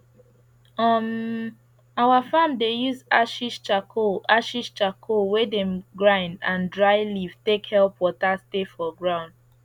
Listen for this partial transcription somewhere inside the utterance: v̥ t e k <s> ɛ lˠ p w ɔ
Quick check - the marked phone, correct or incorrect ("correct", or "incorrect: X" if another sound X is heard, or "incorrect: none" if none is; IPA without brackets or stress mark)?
incorrect: h